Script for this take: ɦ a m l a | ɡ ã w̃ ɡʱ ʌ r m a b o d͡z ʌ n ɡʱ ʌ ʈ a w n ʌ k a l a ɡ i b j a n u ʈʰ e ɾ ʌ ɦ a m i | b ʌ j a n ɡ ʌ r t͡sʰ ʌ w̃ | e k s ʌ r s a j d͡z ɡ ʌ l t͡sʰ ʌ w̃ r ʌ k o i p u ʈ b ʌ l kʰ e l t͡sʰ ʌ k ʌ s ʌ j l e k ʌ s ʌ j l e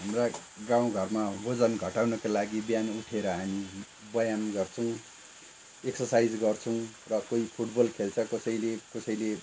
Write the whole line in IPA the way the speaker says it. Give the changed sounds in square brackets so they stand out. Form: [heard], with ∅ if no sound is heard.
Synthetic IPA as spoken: ɦ a m [r] a | ɡ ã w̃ ɡʱ ʌ r m a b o d͡z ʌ n ɡʱ ʌ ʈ a w n ʌ k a l a ɡ i b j a n u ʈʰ e ɾ ʌ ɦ a m i | b ʌ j a n ɡ ʌ r t͡sʰ ʌ w̃ | e k s ʌ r s a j d͡z ɡ ʌ [r] t͡sʰ ʌ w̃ r ʌ k o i [pʰ] u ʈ b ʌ l kʰ e l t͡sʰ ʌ k ʌ s ʌ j l e k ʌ s ʌ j l e